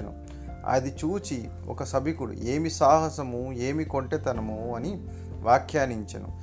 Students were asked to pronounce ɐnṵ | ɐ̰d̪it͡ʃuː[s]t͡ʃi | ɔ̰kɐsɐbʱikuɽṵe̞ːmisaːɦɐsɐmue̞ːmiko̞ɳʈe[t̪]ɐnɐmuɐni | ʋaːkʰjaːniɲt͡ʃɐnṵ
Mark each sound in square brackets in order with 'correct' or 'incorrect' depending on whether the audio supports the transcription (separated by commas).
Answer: incorrect, correct